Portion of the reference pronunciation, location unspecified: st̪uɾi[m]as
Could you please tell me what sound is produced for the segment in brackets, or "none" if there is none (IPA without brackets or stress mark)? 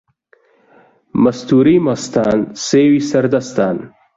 m